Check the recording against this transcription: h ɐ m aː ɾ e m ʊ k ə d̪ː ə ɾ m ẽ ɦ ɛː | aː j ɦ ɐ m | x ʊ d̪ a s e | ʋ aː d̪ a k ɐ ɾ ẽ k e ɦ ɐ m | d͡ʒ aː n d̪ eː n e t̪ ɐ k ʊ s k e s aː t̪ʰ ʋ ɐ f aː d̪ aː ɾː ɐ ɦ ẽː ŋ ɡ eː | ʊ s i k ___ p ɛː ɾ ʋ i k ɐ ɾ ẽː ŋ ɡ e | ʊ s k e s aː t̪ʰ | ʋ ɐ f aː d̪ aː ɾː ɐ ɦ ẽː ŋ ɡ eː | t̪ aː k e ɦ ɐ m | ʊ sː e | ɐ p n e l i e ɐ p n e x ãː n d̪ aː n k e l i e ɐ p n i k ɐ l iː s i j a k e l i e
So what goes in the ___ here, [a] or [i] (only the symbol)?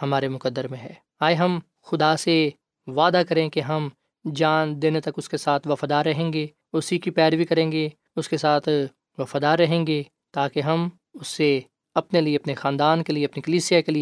i